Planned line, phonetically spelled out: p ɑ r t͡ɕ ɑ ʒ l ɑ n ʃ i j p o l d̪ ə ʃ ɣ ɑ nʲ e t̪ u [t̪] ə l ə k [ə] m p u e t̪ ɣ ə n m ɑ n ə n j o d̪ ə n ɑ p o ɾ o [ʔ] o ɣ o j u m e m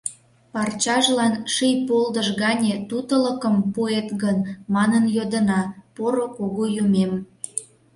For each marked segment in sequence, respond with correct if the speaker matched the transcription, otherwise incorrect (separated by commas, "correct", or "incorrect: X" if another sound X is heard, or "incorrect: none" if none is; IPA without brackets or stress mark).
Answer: correct, correct, incorrect: k